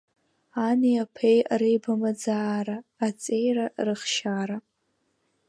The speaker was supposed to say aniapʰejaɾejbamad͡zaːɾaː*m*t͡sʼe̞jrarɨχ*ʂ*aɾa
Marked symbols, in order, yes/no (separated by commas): no, no